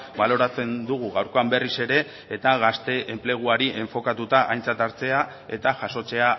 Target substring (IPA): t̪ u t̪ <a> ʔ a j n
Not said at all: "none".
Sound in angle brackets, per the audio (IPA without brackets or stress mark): a